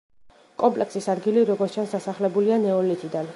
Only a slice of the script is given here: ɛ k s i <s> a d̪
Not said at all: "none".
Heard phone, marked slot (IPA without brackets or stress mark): s